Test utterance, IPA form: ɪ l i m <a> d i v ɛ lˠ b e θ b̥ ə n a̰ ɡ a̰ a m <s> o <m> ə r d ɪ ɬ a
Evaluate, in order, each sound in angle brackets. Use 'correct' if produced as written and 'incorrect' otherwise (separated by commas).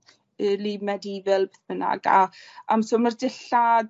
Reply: incorrect, correct, correct